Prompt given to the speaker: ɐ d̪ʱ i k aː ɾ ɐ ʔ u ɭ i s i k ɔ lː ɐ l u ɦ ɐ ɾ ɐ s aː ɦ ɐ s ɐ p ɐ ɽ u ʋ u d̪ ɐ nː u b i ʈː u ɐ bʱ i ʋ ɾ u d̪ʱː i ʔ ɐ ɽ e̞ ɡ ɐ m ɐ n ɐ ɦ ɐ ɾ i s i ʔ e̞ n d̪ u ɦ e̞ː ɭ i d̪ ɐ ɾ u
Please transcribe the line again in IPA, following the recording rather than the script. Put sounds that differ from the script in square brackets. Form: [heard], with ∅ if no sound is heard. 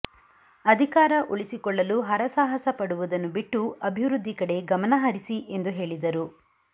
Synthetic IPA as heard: ɐ d̪ʱ i k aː ɾ ɐ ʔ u ɭ i s i k ɔ [ɭː] ɐ l u ɦ ɐ ɾ ɐ s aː ɦ ɐ s ɐ p ɐ ɽ u ʋ u d̪ ɐ nː u b i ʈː u ɐ bʱ i ʋ ɾ u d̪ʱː i [k] ɐ ɽ e̞ ɡ ɐ m ɐ n ɐ ɦ ɐ ɾ i s i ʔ e̞ n d̪ u ɦ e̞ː ɭ i d̪ ɐ ɾ u